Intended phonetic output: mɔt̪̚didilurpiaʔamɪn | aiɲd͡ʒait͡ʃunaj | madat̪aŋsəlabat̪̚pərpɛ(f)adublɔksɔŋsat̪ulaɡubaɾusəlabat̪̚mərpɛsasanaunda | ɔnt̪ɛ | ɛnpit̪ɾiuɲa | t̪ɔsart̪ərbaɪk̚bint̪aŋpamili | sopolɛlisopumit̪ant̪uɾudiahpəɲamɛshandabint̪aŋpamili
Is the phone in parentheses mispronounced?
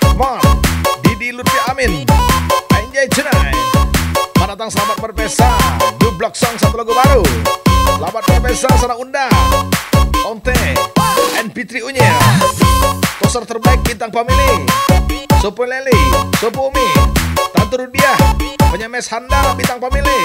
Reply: yes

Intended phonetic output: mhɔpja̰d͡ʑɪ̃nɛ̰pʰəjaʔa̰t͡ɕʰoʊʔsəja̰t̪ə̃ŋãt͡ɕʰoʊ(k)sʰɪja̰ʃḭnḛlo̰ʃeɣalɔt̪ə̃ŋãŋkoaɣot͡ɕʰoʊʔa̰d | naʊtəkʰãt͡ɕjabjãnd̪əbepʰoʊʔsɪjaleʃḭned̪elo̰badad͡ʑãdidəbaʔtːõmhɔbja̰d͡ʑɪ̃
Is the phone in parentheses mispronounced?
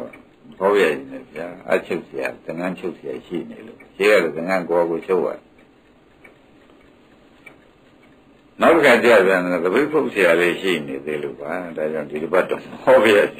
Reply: yes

